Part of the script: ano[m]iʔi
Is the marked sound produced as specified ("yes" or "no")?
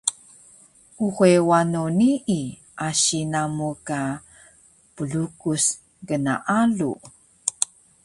no